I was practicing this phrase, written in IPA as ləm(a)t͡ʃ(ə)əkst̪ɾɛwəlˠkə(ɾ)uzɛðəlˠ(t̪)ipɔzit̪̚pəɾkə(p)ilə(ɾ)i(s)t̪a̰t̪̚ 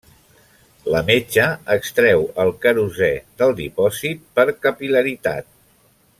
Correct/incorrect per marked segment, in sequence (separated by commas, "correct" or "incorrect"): incorrect, correct, correct, incorrect, correct, correct, incorrect